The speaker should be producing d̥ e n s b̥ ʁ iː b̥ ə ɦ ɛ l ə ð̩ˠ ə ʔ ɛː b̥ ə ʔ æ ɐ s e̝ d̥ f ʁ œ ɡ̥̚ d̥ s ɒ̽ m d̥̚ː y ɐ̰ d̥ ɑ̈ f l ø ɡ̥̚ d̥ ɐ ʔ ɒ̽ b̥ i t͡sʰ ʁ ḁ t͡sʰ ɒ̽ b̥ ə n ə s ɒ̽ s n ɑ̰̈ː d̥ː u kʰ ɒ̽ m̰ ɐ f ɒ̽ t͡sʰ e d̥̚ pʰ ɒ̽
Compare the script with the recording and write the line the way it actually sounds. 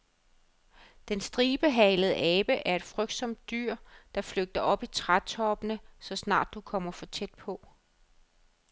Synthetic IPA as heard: d̥ e n s d̥ ʁ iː b̥ ə ɦ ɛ l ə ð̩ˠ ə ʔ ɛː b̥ ə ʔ æ ɐ e̝ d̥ f ʁ œ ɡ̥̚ d̥ s ɒ̽ m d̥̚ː y ɐ̰ d̥ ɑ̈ f l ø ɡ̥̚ d̥ ɐ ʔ ɒ̽ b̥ i t͡sʰ ʁ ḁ t͡sʰ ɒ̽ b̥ ə n ə s ɒ̽ s n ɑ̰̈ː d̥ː u kʰ ɒ̽ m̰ ɐ f ɒ̽ t͡sʰ e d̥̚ pʰ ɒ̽